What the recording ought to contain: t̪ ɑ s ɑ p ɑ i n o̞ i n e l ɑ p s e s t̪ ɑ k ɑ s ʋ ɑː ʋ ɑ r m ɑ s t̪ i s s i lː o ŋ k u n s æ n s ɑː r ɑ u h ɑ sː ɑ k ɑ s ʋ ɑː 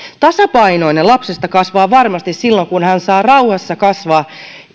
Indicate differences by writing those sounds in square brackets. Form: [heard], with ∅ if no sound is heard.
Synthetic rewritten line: t̪ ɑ s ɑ p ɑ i n o̞ i n e l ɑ p s e s t̪ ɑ k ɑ s ʋ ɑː ʋ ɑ r m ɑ s t̪ i s s i lː o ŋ k u n [h] æ n s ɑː r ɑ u h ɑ sː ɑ k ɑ s ʋ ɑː